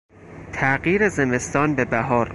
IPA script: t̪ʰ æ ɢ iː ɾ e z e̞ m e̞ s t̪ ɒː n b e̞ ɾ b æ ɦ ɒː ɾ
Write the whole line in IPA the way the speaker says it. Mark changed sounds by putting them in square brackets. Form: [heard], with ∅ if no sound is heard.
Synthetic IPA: t̪ʰ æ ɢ iː ɾ e z e̞ m e̞ s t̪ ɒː n b e̞ [∅] b æ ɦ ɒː ɾ